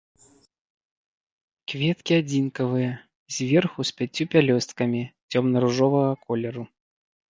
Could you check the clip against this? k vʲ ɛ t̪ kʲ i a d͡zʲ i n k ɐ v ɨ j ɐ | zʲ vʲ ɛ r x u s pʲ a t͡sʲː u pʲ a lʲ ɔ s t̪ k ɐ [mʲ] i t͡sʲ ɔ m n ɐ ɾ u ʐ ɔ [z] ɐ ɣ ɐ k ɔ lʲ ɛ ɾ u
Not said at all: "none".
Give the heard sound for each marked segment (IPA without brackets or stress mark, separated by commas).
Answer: mʲ, v